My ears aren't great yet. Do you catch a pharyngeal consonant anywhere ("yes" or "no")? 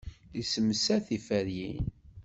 no